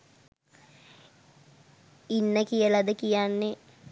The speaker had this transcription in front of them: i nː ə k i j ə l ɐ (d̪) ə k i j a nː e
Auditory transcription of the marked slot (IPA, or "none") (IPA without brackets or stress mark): d̪